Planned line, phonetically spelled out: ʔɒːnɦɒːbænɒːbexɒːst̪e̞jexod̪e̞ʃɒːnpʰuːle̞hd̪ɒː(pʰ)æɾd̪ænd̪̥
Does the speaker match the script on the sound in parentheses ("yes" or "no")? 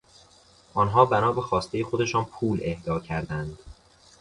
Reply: no